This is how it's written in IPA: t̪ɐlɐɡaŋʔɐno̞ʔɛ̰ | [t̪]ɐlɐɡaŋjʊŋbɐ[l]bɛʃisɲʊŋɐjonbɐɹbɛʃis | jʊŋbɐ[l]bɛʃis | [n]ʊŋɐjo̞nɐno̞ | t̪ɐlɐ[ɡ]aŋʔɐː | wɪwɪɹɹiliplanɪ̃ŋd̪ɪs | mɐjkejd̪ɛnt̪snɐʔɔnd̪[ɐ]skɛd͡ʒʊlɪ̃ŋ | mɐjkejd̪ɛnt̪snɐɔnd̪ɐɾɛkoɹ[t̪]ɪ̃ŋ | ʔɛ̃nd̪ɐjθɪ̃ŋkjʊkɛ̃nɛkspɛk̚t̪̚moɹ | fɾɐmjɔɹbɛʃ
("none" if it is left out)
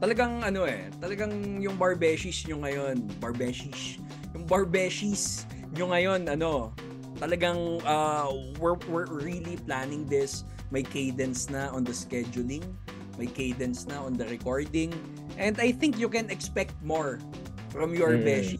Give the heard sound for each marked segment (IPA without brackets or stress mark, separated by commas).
t̪, ɹ, ɹ, ɲ, ɡ, ɐ, d̪